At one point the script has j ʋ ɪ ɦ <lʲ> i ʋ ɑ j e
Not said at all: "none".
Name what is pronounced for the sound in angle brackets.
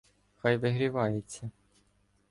ɾʲ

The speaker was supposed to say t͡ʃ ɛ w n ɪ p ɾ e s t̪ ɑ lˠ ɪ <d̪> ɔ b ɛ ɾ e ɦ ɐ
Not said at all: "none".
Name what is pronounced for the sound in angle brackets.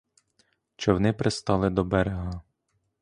d̪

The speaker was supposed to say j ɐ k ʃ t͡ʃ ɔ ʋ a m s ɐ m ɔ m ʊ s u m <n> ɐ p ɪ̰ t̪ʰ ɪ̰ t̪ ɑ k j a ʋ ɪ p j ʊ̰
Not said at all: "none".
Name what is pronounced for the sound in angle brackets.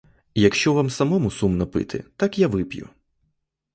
n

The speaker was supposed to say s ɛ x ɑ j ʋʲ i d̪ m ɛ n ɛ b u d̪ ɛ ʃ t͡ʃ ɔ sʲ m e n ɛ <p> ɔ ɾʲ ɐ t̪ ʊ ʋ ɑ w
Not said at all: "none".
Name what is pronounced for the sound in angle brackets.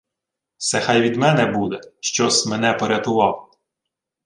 p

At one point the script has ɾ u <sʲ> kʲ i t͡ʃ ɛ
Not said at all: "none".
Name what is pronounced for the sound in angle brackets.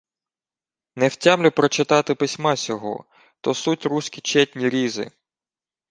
sʲ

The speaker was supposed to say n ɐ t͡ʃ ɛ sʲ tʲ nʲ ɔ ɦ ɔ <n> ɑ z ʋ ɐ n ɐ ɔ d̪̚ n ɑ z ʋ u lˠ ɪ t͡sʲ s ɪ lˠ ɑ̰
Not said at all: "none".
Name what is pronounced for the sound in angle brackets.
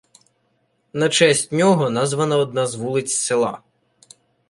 n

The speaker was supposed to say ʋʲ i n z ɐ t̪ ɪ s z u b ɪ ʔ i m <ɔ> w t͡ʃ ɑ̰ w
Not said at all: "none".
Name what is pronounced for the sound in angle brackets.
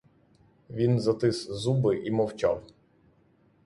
ɔ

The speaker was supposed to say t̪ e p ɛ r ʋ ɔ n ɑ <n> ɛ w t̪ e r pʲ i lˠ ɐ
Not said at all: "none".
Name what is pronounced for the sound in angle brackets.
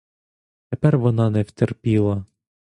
n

